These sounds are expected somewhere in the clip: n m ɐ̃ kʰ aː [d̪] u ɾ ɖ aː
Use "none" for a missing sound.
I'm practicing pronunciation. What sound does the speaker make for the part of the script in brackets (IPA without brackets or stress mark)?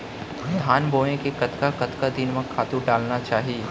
t̪